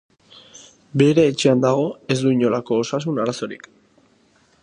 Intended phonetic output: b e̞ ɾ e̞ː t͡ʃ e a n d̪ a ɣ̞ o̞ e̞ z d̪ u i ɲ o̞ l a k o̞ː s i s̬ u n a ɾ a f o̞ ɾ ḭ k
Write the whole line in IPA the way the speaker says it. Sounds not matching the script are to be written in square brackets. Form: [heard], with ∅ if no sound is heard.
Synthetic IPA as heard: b e̞ ɾ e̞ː t͡ʃ e a n d̪ a ɣ̞ o̞ e̞ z d̪ u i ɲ o̞ l a k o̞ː s [a] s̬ u n a ɾ a [s] o̞ ɾ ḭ k